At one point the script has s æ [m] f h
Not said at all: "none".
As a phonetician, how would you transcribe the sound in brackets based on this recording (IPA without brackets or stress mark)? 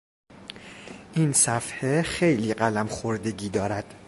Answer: none